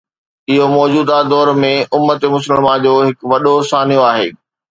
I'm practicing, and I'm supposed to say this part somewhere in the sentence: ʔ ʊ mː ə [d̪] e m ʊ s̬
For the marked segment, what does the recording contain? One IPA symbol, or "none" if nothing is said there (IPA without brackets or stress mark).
t̪